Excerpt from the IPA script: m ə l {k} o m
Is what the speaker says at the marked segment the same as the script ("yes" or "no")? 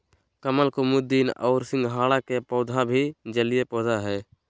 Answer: yes